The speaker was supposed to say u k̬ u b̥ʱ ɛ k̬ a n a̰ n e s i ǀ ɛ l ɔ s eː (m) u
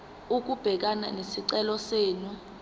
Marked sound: incorrect: n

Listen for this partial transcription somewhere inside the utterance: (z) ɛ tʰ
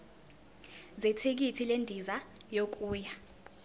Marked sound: correct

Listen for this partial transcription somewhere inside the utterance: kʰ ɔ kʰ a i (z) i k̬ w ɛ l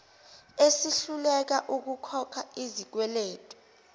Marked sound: correct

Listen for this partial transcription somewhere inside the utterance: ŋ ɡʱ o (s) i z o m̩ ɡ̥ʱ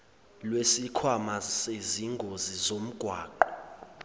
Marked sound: incorrect: z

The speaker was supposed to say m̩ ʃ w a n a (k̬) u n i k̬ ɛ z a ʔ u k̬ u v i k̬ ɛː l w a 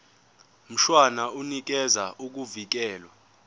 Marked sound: incorrect: none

